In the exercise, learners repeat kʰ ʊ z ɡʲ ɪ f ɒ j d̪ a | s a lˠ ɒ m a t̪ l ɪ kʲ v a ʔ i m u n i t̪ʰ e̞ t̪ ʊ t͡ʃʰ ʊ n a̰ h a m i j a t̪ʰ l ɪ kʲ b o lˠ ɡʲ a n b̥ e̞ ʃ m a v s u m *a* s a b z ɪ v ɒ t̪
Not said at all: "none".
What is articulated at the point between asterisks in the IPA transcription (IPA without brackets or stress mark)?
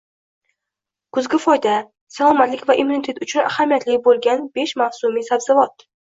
i